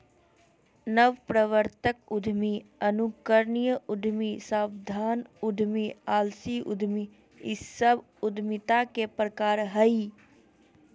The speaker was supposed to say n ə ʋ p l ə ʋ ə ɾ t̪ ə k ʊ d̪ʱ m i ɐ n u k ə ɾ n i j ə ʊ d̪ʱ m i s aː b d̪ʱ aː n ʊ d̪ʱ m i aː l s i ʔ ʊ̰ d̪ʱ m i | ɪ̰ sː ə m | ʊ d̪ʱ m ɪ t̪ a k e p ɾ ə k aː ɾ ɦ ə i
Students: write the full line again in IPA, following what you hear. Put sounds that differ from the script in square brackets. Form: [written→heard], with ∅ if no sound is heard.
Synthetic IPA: n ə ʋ p [l→ɾ] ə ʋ ə ɾ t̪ ə k ʊ d̪ʱ m i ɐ n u k ə ɾ n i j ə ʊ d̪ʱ m i s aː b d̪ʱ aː n ʊ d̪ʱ m i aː l s i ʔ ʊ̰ d̪ʱ m i | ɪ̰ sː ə [m→b] | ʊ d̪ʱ m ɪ t̪ a k e p ɾ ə k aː ɾ ɦ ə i